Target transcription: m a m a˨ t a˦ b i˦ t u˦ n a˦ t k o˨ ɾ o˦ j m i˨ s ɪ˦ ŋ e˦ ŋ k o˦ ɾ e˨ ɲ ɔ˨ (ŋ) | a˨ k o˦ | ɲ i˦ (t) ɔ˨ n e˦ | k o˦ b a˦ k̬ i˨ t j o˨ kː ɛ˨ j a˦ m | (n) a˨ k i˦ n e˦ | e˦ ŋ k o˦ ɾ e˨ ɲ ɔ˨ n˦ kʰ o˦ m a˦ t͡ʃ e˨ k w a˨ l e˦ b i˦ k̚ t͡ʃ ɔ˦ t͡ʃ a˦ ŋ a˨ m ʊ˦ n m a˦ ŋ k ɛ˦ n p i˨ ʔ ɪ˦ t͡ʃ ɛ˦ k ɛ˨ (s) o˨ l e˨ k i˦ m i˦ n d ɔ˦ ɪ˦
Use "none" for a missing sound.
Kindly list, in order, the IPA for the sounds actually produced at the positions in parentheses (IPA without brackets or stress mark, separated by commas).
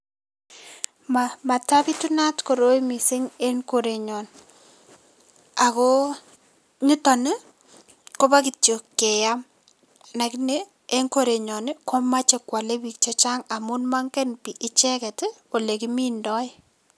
n, t, n, t